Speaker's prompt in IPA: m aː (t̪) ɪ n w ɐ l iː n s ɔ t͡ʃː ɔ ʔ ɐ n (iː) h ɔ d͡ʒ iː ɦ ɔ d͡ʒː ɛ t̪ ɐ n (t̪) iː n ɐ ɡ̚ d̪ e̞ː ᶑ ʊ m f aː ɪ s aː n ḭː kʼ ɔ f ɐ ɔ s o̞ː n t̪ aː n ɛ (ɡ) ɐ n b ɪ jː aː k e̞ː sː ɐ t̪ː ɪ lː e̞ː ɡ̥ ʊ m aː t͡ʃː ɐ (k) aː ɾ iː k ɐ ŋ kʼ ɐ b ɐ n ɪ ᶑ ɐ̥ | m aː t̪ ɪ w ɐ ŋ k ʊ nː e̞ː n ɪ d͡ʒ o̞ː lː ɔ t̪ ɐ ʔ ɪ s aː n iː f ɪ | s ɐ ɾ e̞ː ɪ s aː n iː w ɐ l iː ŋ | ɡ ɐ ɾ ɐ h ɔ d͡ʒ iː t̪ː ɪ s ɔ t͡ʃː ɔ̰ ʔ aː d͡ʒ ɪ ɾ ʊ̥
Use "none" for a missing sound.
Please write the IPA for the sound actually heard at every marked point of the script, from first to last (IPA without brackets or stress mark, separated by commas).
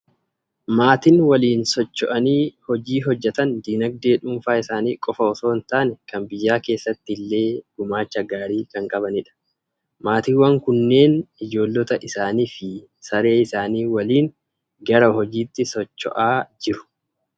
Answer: t̪, iː, d̪, k, ɡ